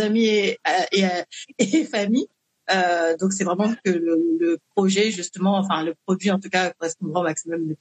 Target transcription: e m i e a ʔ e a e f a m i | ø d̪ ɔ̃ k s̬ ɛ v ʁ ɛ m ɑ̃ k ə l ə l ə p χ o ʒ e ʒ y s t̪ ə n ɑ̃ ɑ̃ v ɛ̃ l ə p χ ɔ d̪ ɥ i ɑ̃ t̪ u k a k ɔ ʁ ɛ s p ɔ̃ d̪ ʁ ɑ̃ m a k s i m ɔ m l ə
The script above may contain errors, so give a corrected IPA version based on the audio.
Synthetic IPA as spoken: a m i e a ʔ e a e f a m i | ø d̪ ɔ̃ k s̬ ɛ v ʁ ɛ m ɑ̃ k ə l ə l ə p χ ɔ ʒ ɛ ʒ y s t̪ ə m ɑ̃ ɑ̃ f ɛ̃ l ə p χ ɔ d̪ ɥ i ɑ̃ t̪ u k a k ɔ ʁ ɛ s p ɔ̃ d̪ ʁ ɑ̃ m a k s i m ɔ m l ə